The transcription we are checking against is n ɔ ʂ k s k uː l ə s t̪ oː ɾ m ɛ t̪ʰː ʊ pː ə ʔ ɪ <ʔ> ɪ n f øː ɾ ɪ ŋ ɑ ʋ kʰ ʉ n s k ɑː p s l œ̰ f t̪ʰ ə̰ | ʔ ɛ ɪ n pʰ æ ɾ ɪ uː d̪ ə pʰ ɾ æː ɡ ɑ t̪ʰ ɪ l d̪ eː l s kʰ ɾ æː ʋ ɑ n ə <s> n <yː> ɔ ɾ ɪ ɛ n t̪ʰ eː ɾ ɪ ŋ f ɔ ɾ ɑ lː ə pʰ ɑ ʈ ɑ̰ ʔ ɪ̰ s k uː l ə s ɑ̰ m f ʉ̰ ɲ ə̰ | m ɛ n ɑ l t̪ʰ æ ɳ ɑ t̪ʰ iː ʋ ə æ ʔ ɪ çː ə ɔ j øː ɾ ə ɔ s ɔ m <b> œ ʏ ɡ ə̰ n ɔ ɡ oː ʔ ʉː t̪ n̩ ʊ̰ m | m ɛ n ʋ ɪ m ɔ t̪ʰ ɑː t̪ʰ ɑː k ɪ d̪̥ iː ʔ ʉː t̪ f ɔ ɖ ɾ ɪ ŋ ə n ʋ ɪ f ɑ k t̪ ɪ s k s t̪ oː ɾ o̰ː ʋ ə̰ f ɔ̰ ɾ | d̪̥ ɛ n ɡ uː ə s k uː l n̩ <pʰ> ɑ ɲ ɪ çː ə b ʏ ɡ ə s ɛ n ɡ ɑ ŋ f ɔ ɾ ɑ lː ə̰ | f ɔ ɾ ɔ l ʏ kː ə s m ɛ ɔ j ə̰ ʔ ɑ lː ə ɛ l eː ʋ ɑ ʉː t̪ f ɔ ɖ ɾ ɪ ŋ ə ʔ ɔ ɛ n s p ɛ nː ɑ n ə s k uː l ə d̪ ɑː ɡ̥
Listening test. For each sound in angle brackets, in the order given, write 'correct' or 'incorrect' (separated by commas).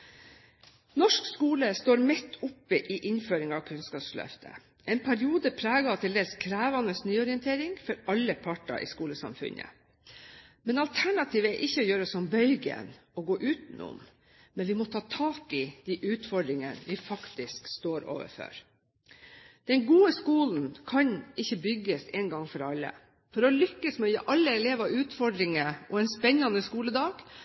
correct, correct, correct, correct, incorrect